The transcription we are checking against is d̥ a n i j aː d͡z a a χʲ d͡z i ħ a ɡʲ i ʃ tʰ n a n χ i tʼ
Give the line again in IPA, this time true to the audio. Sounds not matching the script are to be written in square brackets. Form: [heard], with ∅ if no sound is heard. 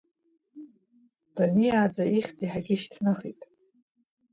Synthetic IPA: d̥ a n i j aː d͡z a [i] χʲ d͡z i ħ a ɡʲ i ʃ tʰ n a [∅] χ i tʼ